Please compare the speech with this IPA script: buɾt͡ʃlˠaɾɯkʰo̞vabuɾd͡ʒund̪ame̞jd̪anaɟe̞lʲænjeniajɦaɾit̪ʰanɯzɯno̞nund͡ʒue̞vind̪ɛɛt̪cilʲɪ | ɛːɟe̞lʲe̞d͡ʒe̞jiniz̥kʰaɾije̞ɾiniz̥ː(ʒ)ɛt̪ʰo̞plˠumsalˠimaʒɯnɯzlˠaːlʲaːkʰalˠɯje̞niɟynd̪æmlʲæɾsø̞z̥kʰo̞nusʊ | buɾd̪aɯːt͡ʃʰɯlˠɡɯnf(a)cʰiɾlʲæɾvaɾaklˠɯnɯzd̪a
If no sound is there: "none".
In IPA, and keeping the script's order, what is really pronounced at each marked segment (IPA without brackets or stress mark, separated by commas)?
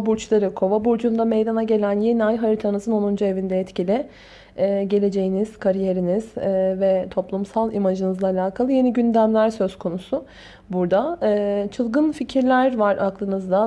v, i